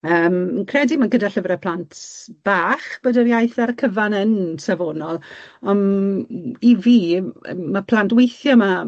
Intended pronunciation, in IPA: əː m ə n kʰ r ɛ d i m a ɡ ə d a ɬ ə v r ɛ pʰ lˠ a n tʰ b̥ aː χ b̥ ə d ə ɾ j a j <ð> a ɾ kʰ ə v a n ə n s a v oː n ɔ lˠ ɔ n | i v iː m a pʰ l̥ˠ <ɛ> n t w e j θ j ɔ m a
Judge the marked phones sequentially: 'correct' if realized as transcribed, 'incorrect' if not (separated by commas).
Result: incorrect, incorrect